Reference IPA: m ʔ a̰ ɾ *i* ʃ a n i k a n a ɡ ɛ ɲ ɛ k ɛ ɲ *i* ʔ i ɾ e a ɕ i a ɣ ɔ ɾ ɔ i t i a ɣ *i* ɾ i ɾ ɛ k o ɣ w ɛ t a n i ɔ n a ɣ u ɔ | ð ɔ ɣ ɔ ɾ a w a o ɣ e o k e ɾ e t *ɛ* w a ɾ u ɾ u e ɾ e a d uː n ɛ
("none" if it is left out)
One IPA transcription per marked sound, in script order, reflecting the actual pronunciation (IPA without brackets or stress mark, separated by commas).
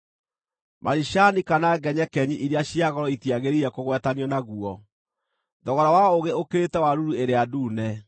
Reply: i, i, e, ɛ